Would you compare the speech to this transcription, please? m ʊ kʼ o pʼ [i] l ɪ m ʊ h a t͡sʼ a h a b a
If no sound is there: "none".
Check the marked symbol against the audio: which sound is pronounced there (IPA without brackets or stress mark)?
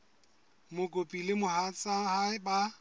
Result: i